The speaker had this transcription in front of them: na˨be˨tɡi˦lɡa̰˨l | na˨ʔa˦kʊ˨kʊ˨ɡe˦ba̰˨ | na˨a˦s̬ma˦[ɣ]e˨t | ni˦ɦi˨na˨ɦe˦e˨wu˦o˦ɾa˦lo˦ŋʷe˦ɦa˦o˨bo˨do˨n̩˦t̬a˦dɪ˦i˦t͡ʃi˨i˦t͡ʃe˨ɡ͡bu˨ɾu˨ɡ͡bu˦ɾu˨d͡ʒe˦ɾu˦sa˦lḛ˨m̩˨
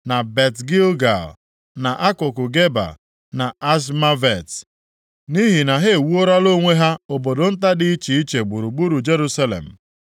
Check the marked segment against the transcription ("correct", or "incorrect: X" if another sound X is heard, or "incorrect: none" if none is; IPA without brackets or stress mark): incorrect: v